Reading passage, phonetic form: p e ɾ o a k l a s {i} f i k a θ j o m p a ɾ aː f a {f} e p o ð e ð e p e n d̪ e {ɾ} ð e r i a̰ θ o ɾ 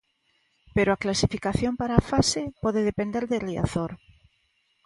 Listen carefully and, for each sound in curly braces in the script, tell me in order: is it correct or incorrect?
correct, incorrect: s, correct

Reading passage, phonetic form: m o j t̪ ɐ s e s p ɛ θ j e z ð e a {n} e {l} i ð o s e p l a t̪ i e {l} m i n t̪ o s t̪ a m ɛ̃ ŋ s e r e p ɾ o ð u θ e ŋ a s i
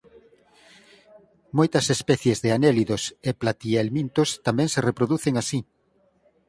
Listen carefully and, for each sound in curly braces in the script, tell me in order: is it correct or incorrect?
correct, correct, correct

